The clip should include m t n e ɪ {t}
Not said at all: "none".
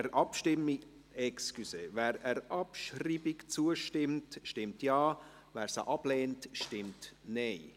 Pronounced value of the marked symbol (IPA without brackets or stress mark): none